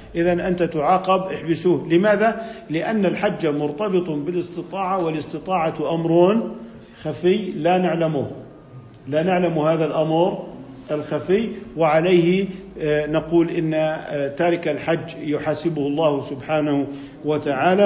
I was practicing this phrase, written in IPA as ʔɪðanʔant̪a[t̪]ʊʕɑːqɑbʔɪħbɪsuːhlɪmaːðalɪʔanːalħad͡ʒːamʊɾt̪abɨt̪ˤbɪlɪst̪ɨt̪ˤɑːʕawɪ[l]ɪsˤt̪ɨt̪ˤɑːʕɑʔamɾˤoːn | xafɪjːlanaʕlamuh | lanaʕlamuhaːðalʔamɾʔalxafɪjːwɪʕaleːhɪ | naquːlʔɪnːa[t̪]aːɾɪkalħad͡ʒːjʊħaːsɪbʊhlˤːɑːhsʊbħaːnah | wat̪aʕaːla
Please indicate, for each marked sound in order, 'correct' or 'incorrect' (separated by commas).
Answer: correct, correct, correct